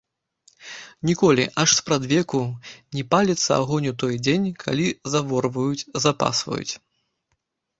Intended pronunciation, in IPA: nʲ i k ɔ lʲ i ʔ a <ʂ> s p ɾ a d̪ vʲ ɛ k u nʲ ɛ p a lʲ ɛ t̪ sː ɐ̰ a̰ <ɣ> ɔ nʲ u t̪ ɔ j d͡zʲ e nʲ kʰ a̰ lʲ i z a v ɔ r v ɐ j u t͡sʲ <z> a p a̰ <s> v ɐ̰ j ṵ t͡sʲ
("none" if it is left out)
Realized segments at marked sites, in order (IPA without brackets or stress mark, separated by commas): ʂ, ɣ, z, s